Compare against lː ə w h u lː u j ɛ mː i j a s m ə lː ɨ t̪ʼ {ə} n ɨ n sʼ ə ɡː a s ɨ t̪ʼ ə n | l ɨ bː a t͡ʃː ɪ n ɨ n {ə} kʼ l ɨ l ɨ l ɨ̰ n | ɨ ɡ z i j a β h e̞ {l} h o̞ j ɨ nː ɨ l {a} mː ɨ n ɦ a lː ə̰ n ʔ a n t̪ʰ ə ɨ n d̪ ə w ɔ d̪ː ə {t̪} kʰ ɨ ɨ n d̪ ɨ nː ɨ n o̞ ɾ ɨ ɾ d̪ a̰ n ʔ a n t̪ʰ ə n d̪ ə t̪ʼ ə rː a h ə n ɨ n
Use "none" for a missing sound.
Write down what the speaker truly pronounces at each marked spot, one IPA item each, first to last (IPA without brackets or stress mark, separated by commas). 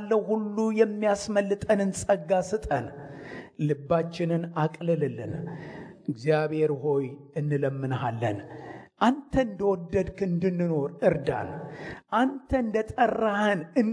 ə, a, ɾ, ə, d̪